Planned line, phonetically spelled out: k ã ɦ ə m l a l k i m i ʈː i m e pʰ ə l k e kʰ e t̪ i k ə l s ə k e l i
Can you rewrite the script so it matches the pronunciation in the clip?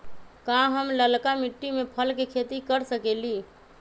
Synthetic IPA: k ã ɦ ə m l ə l k a m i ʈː i m e pʰ ə l k e kʰ e t̪ i k ə ɾ s ə k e l i